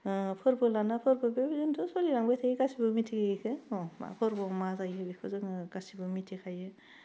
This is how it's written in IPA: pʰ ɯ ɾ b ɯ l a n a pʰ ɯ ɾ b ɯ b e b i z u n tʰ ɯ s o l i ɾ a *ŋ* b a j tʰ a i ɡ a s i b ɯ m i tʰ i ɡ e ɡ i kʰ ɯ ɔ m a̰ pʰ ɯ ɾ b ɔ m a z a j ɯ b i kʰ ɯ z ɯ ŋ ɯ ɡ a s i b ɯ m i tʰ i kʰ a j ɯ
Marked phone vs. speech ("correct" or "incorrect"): correct